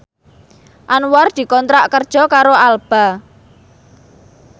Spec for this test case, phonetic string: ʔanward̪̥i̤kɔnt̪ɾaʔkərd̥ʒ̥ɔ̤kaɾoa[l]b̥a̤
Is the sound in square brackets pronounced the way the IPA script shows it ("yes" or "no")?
yes